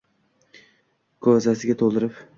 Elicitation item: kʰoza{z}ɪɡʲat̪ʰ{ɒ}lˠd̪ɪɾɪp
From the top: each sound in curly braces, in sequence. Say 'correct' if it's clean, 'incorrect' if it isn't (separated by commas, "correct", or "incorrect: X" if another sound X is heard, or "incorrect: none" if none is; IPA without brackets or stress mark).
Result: incorrect: s, incorrect: o